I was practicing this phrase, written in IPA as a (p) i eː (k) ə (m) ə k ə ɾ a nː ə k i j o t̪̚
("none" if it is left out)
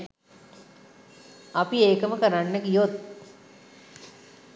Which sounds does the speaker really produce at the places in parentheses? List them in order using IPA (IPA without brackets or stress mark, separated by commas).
p, k, m